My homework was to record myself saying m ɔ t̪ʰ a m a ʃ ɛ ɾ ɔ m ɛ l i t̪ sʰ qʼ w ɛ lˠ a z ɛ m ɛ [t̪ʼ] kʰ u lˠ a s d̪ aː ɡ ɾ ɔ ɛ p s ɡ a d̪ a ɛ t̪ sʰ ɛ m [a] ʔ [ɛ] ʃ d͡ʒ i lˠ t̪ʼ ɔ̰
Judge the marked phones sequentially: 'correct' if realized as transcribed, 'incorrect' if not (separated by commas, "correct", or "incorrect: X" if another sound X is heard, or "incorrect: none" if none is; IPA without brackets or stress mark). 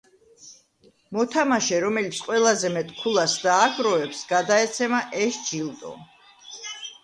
correct, correct, correct